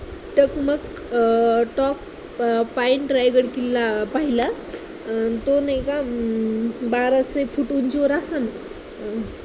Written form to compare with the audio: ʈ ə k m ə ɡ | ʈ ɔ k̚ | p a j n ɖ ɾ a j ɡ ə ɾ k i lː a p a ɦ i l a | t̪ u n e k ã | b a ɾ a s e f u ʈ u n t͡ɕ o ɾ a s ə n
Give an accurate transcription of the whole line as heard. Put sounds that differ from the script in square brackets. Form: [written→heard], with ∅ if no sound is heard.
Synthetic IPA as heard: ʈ ə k m ə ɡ | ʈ ɔ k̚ | p a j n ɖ ɾ a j ɡ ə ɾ k i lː a p a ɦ i l a | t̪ [u→o] n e k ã | b a ɾ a s e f u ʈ u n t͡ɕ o ɾ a s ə n